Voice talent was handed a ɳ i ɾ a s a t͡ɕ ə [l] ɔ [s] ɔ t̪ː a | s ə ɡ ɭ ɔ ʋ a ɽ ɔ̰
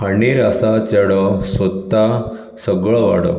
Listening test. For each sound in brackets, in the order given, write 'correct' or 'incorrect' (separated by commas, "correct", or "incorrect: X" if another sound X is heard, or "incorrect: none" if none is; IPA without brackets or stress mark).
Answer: incorrect: ɽ, correct